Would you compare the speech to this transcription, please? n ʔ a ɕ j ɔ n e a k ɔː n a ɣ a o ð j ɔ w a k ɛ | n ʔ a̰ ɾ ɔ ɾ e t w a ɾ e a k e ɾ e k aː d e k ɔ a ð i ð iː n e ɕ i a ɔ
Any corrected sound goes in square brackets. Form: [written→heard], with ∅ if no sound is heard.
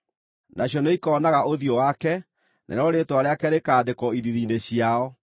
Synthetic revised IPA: n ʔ a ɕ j ɔ n e [a→i] k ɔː n a ɣ a o ð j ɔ w a k ɛ | n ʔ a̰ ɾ ɔ ɾ e t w a ɾ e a k [e→ɛ] ɾ e k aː d e k ɔ [a→i] ð i ð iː n e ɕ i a ɔ